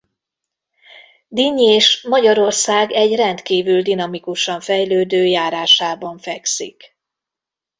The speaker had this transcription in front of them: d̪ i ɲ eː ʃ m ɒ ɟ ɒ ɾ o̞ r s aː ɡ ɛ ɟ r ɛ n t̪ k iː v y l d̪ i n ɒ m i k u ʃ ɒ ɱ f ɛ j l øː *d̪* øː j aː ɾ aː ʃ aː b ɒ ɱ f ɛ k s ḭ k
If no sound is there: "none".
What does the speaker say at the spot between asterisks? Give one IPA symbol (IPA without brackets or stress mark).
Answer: d̪